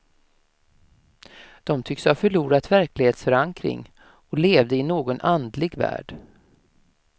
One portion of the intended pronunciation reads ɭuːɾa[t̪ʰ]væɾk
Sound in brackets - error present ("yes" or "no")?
yes